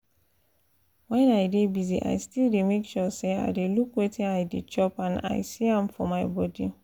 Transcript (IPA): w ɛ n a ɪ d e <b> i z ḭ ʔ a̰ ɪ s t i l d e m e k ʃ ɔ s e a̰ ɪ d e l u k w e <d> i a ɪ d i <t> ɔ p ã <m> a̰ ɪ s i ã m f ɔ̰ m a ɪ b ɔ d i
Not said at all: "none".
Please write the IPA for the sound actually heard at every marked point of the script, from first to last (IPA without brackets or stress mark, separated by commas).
b, t, t͡ʃ, n